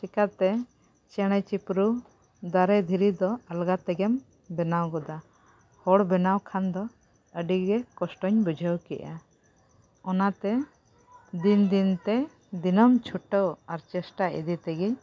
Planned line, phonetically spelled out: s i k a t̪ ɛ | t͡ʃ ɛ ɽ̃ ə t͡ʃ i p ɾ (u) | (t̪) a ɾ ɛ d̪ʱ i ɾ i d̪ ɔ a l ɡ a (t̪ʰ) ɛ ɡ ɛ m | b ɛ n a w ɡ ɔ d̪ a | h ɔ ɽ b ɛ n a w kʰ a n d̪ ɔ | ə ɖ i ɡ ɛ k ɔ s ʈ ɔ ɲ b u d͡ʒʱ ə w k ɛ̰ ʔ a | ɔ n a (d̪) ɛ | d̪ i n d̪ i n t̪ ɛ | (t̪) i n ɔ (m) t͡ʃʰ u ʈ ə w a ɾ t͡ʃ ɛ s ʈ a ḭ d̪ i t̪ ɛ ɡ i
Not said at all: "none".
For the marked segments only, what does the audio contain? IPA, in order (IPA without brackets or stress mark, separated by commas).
u, d̪, t̪, t̪, d̪, m